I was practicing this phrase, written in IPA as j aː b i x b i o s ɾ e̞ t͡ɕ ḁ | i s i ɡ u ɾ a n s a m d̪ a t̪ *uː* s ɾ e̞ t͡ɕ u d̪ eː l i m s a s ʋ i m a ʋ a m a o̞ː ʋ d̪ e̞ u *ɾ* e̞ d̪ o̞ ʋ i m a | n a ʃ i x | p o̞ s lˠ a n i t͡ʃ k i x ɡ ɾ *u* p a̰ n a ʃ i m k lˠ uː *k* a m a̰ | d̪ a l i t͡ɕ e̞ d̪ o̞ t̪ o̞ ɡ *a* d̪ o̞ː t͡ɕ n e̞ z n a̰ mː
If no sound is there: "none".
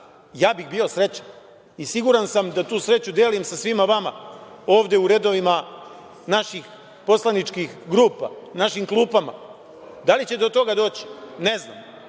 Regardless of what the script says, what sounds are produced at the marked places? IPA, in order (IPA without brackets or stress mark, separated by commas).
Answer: uː, ɾ, uː, p, a